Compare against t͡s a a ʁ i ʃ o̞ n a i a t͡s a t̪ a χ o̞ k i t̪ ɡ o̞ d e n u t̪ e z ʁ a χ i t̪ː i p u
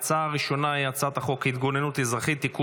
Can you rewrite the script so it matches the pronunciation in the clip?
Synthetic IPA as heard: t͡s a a ʁ i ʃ o̞ n a i a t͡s a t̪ a χ o̞ k i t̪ ɡ o̞ n e n u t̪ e z ʁ a χ i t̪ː i k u